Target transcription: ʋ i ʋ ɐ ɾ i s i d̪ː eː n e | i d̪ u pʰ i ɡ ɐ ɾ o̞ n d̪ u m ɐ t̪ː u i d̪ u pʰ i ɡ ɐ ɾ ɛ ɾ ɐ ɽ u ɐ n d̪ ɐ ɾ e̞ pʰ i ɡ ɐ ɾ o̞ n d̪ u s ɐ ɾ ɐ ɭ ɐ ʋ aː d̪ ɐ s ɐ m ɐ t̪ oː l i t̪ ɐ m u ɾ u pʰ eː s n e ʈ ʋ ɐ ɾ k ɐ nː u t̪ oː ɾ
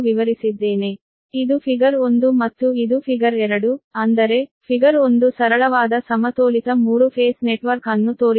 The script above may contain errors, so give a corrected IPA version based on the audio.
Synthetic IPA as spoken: ʋ i ʋ ɐ ɾ i s i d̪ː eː n e | i d̪ u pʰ i ɡ ɐ ɾ o̞ n d̪ u m ɐ t̪ː u i d̪ u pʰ i ɡ ɐ ɾ ɛ ɾ ɐ ɽ u ɐ n d̪ ɐ ɾ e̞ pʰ i ɡ ɐ ɾ o̞ n d̪ u s ɐ ɾ ɐ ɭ ɐ ʋ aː d̪ ɐ s ɐ m ɐ t̪ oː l i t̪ ɐ m uː ɾ u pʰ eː s n e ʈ ʋ ɐ ɾ k ɐ nː u t̪ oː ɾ